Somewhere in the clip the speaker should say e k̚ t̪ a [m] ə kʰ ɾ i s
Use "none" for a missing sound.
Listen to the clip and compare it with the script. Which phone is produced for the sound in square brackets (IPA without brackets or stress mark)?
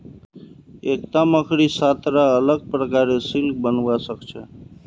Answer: m